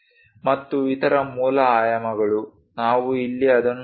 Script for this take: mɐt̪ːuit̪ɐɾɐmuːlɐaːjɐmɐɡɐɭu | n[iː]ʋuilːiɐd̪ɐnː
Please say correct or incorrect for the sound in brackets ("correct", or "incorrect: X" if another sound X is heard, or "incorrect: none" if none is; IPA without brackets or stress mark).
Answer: incorrect: aː